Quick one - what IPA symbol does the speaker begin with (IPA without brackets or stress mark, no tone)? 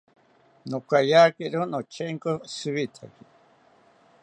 n